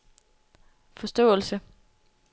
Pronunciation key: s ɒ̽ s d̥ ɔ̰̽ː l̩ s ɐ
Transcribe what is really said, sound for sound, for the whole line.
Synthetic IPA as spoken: f ɒ̽ s d̥ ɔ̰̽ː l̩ s ə